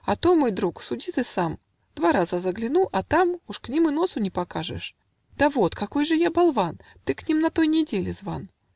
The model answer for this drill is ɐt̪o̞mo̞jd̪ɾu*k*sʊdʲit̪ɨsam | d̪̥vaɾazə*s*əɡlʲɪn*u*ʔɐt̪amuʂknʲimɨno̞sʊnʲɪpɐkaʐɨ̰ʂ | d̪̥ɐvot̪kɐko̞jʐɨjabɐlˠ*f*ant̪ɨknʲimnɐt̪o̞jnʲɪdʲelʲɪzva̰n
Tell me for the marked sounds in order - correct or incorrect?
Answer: correct, incorrect, correct, incorrect

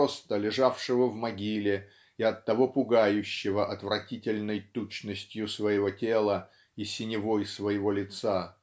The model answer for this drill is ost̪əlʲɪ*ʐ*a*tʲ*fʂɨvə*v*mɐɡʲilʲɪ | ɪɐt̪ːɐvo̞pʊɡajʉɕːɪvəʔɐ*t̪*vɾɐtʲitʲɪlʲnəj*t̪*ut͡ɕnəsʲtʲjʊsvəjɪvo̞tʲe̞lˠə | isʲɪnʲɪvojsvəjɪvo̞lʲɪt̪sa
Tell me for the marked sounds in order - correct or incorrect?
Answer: correct, incorrect, correct, correct, correct

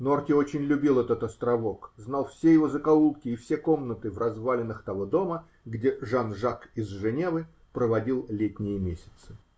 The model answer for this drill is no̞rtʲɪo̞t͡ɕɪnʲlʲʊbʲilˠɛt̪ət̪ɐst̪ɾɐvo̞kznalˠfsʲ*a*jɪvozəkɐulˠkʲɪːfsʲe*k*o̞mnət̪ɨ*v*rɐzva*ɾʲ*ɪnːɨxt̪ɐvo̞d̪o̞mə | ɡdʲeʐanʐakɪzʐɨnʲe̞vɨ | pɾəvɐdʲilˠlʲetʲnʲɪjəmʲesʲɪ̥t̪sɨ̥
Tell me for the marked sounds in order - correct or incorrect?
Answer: incorrect, correct, correct, incorrect

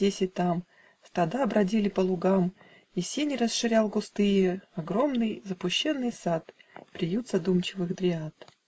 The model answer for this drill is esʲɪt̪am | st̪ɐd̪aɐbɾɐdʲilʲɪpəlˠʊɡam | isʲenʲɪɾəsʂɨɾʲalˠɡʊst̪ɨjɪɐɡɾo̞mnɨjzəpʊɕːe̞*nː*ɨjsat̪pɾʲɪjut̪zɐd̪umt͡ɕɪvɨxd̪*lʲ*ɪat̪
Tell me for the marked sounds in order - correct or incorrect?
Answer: correct, incorrect

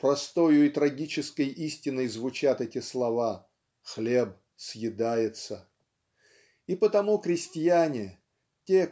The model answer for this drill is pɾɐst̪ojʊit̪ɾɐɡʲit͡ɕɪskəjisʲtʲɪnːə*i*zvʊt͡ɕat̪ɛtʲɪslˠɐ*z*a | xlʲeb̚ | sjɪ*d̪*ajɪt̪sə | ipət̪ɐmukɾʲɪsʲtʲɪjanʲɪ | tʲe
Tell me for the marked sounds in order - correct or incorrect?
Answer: incorrect, incorrect, correct

